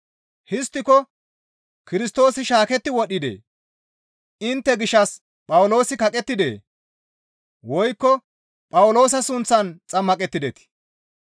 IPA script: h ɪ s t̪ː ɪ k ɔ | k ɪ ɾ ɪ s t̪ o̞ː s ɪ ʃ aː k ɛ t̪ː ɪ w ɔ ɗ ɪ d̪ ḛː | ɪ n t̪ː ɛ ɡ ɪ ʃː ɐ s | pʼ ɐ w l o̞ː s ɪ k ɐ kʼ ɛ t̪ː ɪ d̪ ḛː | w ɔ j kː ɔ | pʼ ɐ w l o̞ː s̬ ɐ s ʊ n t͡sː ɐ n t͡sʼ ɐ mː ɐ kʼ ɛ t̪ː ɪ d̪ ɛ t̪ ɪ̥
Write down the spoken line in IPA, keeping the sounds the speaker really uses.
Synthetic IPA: h ɪ s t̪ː ɪ k ɔ | k ɪ ɾ ɪ s t̪ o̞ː s ɪ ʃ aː k ɛ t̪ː ɪ w ɔ ɗ ɪ d̪ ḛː | ɪ n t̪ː ɛ ɡ ɪ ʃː ɐ s | pʼ ɐ w l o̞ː s ɪ k ɐ kʼ ɛ t̪ː ɪ d̪ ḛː | w ɔ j kː ɔ | pʼ ɐ w l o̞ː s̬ ɐ s ʊ n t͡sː ɐ n t͡sʼ ɐ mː ɐ kʼ ɛ t̪ː ɪ d̪ ɛ t̪ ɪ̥